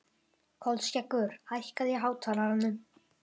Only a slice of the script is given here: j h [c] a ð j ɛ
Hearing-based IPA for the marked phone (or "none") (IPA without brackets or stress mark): k